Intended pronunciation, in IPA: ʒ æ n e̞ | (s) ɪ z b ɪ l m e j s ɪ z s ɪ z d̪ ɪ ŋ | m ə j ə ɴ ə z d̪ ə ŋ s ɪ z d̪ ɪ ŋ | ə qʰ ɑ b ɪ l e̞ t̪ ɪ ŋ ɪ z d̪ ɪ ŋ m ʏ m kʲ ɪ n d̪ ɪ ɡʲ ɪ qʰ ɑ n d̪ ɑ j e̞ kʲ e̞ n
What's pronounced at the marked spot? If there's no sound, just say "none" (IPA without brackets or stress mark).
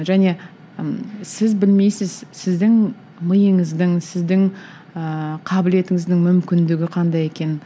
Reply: s